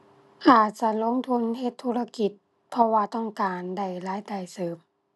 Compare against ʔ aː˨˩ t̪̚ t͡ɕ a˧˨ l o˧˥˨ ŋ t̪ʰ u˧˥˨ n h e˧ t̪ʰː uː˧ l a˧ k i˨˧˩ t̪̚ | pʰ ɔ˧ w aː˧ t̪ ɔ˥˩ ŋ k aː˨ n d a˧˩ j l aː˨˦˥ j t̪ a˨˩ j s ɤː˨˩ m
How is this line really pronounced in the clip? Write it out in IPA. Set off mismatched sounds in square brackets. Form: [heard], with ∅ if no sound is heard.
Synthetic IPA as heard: ʔ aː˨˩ t̪̚ t͡ɕ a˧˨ l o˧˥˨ ŋ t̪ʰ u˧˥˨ n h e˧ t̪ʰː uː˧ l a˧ k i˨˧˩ t̪̚ | pʰ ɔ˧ w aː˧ t̪ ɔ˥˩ ŋ k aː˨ n d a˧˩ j l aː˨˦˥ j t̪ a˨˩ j s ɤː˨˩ m

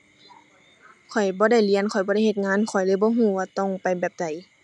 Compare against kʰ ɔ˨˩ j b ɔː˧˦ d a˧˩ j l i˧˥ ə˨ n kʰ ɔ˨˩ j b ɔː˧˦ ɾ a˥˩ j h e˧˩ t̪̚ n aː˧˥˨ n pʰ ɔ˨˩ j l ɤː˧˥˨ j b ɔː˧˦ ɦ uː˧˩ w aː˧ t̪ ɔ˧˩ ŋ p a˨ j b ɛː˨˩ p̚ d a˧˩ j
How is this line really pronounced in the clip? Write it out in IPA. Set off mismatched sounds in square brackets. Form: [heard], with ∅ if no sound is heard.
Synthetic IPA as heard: kʰ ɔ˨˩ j b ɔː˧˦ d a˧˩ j l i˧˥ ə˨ n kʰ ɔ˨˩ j b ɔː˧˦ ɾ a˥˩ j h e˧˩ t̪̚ [ŋ] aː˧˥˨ n [kʰ] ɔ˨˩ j l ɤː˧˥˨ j b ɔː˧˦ ɦ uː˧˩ w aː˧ t̪ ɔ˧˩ ŋ p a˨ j b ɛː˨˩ p̚ d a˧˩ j

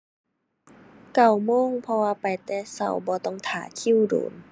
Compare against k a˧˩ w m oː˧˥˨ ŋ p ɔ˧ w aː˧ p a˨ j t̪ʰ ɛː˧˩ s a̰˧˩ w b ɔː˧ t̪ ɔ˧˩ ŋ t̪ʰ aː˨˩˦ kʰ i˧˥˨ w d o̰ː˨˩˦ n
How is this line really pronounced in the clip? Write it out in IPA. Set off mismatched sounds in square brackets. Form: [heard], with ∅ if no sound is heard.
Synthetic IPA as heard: k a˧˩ w m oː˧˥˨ ŋ [pʰ] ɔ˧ w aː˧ p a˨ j [t̪] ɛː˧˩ s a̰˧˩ w b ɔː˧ t̪ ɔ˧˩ ŋ t̪ʰ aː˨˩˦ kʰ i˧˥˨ w d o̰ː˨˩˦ n

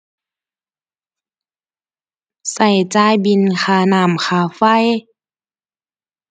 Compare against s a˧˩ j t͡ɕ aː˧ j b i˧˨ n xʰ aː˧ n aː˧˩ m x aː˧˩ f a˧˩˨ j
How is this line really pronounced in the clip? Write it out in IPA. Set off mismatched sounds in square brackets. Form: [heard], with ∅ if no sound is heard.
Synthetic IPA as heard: s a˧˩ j t͡ɕ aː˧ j b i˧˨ n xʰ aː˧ n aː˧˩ m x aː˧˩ f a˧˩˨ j

